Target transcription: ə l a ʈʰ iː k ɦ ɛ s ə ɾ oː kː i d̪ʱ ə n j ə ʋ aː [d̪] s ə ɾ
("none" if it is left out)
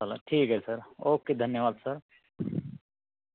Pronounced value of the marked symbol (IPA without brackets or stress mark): d̪